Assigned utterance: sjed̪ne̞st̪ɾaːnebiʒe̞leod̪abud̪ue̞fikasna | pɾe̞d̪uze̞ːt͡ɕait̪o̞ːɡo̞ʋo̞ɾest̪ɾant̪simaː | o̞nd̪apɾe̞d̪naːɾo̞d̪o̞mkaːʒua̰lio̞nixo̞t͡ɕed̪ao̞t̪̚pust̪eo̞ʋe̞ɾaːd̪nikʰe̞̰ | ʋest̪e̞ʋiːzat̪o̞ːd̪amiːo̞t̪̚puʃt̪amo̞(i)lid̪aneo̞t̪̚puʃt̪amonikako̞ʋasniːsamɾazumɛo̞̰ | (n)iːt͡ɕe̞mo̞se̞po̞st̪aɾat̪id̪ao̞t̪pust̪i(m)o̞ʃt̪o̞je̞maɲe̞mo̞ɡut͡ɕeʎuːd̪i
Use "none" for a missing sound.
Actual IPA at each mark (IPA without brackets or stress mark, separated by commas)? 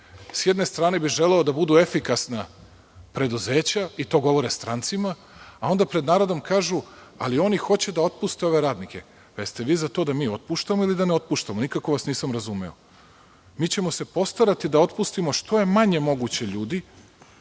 i, m, m